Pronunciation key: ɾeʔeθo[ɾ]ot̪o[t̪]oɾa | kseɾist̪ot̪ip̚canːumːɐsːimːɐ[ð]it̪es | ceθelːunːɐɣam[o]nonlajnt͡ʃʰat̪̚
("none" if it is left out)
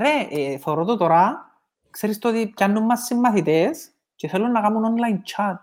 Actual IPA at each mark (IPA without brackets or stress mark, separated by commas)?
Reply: ɾ, t̪, θ, u